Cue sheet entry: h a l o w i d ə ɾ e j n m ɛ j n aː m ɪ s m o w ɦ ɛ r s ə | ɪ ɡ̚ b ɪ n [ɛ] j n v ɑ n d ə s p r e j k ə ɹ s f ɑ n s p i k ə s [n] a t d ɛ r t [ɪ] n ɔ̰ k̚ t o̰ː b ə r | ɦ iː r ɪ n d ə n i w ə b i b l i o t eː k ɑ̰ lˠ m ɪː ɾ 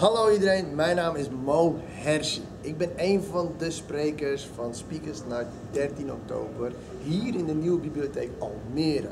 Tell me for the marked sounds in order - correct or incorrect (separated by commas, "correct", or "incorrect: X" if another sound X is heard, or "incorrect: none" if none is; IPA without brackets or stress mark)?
incorrect: e, correct, incorrect: i